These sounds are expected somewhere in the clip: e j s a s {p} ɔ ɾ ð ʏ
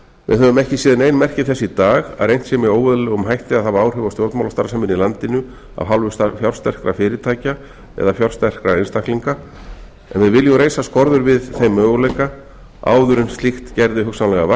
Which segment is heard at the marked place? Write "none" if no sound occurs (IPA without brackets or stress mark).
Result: k